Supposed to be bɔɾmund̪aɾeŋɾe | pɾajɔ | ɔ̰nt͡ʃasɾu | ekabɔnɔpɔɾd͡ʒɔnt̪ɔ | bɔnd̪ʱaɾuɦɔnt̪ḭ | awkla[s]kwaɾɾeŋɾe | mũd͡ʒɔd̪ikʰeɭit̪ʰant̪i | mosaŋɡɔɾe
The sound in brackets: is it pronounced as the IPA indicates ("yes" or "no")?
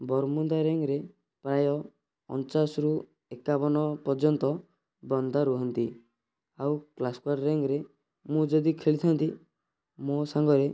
yes